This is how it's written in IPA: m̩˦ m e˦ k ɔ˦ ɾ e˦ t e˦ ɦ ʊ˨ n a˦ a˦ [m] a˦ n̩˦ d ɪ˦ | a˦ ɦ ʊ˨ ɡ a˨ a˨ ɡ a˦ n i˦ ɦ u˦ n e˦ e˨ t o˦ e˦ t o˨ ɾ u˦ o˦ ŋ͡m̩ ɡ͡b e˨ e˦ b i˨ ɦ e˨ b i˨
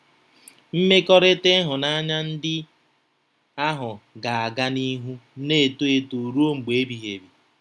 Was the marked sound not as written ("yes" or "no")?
yes